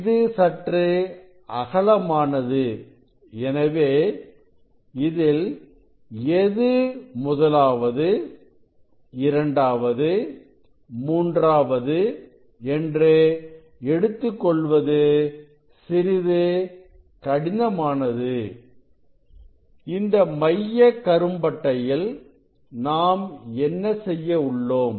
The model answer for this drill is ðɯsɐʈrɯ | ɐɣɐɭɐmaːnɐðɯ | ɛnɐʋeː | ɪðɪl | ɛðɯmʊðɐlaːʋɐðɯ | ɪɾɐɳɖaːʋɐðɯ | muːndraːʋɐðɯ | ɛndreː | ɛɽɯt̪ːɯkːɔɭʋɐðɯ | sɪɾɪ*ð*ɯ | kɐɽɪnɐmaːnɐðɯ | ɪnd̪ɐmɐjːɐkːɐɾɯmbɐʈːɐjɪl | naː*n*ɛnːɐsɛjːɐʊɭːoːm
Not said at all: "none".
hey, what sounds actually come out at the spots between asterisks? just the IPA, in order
ð, m

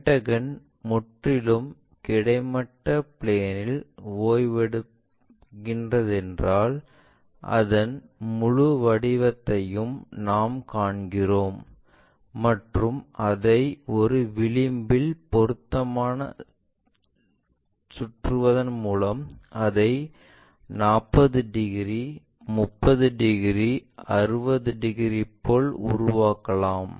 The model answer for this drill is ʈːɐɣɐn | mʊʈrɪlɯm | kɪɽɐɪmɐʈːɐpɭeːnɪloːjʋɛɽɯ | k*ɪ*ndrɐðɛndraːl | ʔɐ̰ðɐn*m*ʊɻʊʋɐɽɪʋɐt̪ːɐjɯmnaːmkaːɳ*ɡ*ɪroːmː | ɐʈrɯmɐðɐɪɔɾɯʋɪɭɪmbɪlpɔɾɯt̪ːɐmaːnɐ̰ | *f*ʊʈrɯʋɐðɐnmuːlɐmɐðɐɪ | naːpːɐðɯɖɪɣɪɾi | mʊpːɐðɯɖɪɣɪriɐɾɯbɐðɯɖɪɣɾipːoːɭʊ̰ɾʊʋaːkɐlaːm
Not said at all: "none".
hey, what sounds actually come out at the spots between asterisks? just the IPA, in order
ɪ, m, ɡ, s

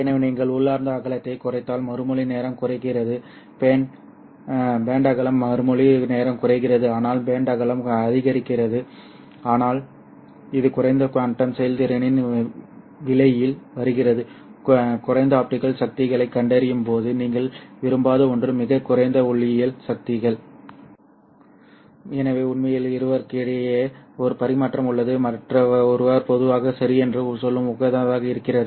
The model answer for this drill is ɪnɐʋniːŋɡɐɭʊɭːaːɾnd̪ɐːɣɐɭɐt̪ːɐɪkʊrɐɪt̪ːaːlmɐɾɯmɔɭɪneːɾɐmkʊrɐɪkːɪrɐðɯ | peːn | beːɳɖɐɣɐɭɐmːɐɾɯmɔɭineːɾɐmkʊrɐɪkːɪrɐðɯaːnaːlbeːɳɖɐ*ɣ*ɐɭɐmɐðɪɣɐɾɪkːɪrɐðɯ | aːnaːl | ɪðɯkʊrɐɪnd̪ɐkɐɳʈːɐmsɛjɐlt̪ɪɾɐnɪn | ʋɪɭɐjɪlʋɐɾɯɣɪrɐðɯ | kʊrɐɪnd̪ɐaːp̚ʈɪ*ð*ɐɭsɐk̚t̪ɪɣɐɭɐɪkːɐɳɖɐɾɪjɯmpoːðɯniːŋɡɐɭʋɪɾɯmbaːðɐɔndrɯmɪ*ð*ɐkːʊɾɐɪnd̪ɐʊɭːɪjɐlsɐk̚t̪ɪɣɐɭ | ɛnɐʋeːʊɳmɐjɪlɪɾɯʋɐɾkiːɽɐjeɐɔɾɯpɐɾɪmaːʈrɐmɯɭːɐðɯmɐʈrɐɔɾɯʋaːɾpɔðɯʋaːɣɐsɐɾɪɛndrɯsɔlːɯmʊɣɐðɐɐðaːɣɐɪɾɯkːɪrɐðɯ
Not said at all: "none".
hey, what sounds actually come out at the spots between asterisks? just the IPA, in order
ɣ, ɣ, ɣ

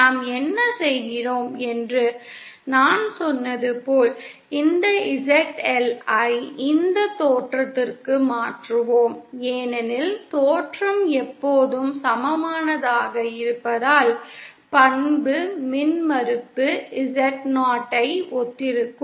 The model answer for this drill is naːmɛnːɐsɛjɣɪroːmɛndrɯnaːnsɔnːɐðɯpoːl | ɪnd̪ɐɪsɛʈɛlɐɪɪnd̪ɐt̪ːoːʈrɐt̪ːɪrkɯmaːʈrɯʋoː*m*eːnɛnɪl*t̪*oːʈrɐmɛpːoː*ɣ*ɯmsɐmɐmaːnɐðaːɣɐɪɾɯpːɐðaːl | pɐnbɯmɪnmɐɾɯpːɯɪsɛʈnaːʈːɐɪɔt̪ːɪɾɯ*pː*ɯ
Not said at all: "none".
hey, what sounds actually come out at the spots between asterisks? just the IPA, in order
m, t̪, ð, kː

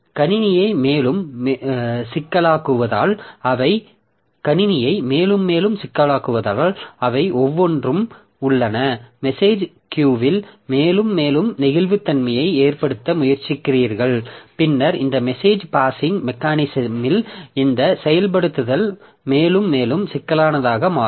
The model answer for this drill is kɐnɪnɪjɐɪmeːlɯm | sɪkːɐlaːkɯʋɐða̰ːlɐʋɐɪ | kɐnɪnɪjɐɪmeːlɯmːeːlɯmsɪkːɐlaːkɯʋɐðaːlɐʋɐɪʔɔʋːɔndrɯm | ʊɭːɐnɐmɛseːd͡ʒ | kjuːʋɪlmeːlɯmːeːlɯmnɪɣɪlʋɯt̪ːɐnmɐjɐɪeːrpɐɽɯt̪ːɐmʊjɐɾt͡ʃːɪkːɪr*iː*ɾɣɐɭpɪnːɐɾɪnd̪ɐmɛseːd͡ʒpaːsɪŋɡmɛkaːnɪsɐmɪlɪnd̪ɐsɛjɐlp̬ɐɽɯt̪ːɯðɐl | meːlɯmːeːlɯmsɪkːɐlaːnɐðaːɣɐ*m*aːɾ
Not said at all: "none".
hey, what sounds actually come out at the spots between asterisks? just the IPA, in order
iː, m

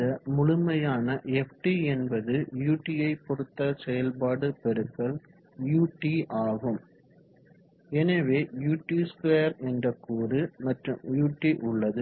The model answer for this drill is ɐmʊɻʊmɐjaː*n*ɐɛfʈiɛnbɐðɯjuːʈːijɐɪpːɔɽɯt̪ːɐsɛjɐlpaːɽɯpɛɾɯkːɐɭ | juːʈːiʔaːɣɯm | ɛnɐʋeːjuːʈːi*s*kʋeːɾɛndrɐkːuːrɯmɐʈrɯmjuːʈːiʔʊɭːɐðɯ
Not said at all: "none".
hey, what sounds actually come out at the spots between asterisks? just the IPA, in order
n, s

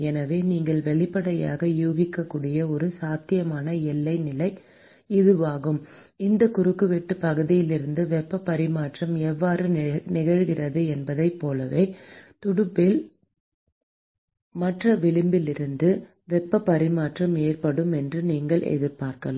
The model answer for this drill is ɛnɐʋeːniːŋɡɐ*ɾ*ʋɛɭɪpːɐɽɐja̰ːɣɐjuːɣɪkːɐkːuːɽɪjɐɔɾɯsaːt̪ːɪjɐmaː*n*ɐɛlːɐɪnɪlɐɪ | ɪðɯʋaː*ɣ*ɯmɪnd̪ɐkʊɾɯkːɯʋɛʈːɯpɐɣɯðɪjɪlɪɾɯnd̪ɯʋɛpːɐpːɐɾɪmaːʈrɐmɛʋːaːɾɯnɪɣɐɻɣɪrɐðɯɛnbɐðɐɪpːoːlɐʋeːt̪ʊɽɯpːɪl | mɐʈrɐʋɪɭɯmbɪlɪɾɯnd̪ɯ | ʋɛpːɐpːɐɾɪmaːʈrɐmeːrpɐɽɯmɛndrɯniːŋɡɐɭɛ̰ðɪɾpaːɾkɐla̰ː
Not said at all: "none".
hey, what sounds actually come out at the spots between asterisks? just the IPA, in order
ɭ, n, ɣ

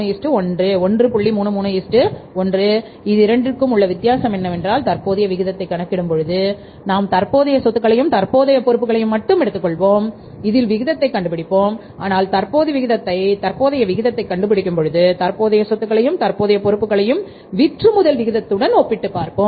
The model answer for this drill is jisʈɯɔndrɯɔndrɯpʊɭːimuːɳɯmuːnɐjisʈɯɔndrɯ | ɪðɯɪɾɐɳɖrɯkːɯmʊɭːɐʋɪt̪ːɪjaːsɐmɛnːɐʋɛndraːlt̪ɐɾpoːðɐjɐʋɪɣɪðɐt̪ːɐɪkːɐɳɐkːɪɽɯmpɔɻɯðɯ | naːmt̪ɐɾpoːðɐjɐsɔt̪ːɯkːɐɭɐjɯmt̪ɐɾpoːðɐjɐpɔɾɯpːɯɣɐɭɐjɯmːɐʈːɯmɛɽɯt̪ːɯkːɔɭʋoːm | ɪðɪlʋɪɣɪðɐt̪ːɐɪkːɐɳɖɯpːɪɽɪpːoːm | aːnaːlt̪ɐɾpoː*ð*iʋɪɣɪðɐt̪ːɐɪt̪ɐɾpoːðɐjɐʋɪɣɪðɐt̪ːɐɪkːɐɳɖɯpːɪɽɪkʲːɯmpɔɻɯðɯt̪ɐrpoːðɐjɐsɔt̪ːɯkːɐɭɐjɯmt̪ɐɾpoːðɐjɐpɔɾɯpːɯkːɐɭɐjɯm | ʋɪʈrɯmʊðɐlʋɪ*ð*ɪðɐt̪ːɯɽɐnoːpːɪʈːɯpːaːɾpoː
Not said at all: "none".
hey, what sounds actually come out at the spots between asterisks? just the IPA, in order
ð, ɣ

